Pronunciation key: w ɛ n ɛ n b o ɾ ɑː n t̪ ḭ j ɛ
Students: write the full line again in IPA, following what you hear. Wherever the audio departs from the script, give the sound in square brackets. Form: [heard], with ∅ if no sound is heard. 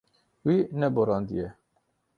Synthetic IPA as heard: w [i] n ɛ [∅] b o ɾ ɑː n [d̪] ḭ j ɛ